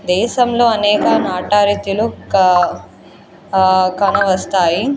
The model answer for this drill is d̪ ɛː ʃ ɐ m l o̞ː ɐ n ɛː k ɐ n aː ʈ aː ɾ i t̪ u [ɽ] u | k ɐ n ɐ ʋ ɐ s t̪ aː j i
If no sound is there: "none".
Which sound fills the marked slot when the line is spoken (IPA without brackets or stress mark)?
l